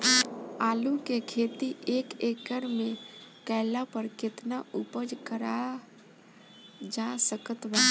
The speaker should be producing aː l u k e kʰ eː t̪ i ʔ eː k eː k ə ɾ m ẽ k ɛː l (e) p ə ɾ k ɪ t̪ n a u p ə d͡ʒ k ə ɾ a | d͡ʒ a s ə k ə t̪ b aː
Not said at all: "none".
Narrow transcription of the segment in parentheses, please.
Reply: a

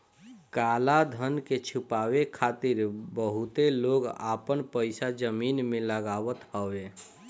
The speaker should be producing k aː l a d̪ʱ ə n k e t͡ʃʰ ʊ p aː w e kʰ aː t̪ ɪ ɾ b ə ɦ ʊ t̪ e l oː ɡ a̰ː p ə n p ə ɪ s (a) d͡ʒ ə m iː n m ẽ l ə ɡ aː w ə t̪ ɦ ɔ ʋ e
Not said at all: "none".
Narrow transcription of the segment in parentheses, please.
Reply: a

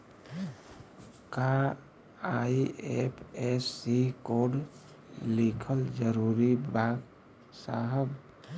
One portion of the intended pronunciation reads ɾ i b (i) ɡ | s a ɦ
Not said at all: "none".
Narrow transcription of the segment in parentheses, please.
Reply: a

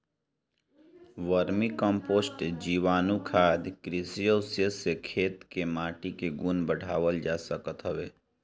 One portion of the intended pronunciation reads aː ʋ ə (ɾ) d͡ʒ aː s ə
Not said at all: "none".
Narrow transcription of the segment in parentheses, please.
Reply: l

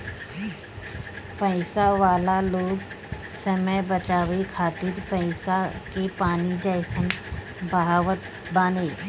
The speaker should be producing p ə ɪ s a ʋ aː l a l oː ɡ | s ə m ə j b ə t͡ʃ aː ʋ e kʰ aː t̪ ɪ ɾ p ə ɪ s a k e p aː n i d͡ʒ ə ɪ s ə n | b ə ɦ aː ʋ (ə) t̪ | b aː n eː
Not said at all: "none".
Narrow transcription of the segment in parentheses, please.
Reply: ə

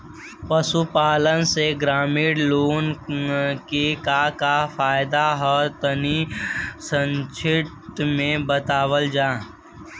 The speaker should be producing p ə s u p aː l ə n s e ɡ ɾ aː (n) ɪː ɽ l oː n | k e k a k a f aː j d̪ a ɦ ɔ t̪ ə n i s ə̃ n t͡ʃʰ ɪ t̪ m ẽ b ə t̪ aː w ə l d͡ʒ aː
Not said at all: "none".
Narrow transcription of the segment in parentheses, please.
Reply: m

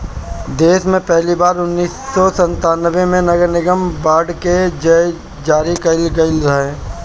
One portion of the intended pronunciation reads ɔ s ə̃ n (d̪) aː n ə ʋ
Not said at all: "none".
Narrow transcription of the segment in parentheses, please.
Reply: t̪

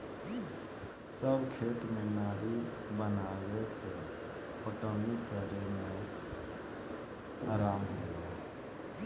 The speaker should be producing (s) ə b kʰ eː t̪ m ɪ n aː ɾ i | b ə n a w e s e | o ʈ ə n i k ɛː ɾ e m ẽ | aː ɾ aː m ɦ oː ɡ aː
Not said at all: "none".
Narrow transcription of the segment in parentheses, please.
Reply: s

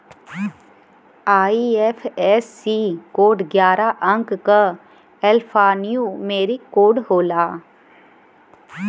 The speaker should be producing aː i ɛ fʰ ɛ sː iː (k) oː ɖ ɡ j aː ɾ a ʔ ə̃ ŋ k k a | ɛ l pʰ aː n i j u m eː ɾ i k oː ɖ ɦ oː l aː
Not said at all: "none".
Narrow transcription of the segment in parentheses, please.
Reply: k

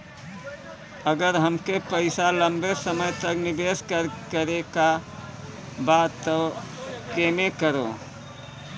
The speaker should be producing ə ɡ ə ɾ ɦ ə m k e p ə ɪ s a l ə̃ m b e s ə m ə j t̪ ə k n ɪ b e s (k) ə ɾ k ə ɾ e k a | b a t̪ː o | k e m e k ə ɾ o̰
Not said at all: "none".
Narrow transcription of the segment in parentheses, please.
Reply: k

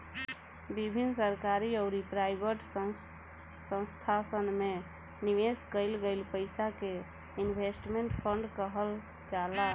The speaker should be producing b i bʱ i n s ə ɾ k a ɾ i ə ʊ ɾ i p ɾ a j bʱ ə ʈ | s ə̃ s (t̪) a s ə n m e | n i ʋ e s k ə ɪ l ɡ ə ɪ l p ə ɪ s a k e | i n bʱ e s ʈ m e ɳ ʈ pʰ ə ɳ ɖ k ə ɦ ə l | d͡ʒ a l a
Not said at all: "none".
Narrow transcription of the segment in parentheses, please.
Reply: t̪ʰ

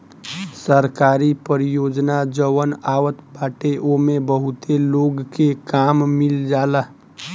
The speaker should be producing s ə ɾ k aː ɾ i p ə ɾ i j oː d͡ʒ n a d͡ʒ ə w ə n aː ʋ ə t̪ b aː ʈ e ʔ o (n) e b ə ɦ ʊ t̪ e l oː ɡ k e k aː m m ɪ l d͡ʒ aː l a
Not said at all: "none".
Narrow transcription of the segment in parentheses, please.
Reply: m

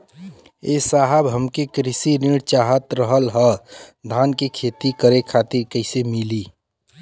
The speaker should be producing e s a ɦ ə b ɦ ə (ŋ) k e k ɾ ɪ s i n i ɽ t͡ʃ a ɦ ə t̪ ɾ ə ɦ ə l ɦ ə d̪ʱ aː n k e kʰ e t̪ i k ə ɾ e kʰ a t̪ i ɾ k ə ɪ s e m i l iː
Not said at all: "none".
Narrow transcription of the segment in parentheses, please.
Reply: m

